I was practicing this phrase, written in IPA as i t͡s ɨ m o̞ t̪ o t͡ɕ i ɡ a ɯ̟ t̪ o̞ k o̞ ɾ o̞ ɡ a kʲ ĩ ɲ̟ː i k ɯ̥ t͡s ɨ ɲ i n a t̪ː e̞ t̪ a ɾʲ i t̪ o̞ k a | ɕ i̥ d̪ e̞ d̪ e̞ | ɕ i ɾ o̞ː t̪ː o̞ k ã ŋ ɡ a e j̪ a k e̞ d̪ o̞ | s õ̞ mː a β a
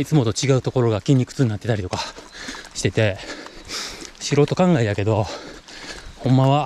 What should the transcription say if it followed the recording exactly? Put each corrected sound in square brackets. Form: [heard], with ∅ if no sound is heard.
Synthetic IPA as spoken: i t͡s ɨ m o̞ t̪ o t͡ɕ i ɡ a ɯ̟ t̪ o̞ k o̞ ɾ o̞ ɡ a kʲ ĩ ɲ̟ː i k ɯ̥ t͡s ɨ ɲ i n a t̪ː e̞ t̪ a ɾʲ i t̪ o̞ k a | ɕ i̥ [t̪] e̞ [t̪] e̞ | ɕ i ɾ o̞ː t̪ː o̞ k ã ŋ ɡ a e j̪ a k e̞ d̪ o̞ | [h] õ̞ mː a β a